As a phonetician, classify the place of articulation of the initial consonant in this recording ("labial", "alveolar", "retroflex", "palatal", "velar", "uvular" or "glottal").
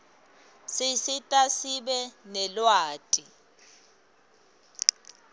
alveolar